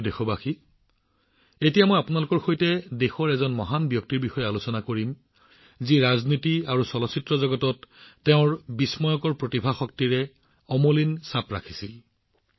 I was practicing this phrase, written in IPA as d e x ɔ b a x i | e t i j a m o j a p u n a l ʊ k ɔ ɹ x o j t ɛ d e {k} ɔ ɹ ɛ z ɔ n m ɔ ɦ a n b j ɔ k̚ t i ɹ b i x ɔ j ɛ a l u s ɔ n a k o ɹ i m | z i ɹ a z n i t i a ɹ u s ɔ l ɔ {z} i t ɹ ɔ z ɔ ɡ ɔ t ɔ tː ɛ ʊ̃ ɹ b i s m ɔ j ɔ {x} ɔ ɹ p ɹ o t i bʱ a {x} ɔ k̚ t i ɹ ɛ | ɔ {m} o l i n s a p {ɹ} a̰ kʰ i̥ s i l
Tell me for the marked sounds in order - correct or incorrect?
incorrect, incorrect, incorrect, correct, correct, correct

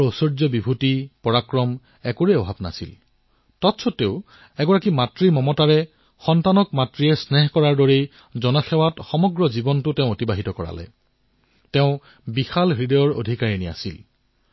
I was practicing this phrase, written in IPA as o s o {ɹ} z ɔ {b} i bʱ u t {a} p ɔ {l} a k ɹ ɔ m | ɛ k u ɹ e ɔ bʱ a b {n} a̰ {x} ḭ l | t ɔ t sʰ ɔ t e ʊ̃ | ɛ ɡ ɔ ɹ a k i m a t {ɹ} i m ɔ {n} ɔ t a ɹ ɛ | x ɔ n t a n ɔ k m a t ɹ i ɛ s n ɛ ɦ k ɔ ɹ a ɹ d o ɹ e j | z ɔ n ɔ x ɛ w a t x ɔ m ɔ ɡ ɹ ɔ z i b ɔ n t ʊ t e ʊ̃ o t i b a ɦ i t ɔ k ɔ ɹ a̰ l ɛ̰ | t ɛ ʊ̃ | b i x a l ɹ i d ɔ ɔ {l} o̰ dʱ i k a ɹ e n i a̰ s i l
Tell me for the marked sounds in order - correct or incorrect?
correct, correct, incorrect, incorrect, correct, incorrect, correct, incorrect, incorrect

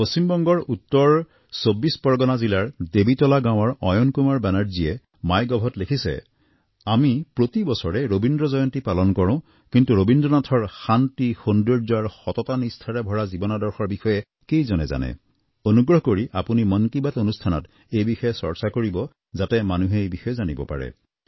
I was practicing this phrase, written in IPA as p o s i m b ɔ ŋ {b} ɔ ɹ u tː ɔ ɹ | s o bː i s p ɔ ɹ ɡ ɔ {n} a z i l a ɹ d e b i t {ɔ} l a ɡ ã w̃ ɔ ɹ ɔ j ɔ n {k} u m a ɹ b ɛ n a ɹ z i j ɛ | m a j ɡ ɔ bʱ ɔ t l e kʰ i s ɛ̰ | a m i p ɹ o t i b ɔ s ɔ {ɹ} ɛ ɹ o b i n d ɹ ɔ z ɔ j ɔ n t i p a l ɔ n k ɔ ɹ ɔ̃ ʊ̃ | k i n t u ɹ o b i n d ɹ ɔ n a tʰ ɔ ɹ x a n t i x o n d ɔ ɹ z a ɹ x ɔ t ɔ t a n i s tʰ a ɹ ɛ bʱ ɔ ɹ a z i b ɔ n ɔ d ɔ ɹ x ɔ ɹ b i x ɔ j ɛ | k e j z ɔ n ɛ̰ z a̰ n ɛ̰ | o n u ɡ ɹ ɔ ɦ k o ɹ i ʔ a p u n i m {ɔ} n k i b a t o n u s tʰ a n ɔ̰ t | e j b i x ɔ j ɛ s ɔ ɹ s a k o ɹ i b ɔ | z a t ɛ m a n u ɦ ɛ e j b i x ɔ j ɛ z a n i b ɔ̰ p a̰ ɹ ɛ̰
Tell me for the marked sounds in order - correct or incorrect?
incorrect, correct, correct, correct, correct, correct

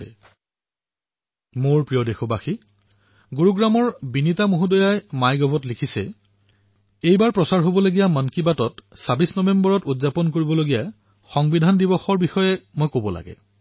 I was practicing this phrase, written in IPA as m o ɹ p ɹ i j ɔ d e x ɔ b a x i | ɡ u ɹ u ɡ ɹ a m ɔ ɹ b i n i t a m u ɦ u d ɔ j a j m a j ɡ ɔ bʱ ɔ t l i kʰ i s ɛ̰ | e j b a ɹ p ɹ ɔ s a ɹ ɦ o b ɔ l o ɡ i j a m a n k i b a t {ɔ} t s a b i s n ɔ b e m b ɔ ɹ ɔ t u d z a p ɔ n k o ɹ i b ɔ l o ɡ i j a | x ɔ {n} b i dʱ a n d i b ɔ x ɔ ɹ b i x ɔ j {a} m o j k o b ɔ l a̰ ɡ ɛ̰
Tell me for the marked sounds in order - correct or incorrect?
correct, incorrect, incorrect

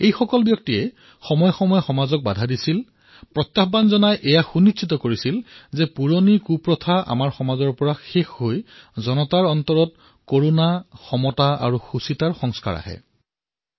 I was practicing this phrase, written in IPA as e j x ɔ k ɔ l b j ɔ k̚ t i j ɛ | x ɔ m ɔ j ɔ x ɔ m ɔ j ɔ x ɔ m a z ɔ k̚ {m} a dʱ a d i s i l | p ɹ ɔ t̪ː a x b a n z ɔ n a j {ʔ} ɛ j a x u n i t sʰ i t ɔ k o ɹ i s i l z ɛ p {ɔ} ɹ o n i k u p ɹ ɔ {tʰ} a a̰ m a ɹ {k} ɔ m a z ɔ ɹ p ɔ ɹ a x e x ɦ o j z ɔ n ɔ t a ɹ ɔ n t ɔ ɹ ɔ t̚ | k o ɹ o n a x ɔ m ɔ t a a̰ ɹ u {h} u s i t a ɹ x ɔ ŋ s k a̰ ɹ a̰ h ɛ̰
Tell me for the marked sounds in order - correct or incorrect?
incorrect, correct, incorrect, correct, incorrect, incorrect

